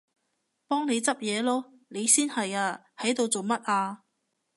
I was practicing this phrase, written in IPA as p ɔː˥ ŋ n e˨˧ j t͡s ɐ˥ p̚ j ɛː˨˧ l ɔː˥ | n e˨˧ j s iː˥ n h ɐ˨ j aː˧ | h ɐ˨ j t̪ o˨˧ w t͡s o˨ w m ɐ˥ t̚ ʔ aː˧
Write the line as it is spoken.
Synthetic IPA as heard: p ɔː˥ ŋ n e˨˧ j t͡s ɐ˥ p̚ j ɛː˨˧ l ɔː˥ | n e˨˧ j s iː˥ n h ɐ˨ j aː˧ | h ɐ˨˥ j t̪ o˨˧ w t͡s o˨ w m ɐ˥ t̚ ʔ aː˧